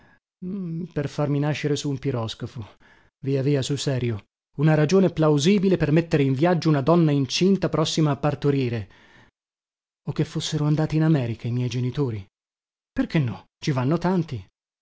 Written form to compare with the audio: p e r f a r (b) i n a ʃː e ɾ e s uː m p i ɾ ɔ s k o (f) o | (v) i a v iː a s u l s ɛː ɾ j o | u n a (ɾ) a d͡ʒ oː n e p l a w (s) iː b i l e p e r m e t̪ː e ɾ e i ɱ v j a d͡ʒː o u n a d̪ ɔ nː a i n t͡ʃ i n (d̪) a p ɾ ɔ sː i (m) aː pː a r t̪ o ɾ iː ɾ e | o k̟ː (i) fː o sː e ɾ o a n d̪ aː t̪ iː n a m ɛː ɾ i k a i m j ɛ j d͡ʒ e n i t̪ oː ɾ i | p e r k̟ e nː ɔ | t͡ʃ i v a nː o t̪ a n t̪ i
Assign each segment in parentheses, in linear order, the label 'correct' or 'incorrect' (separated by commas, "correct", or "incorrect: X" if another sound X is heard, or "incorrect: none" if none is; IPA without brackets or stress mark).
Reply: incorrect: m, correct, correct, correct, incorrect: z, incorrect: t̪, correct, incorrect: e